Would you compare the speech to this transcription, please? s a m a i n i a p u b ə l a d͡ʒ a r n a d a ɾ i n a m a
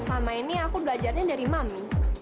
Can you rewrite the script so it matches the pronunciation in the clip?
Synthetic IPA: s a m a i n i a k u b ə l a d͡ʒ a r ɲ a d a ɾ i m a m i